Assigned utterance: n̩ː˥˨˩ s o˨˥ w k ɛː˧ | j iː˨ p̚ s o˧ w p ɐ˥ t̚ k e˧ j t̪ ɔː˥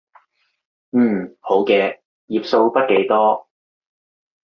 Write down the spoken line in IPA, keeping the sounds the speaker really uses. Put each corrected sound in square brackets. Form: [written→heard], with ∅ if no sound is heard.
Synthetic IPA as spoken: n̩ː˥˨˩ [s→h] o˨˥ w k ɛː˧ | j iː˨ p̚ s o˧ w p ɐ˥ t̚ k [e˧→e˨˥] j t̪ ɔː˥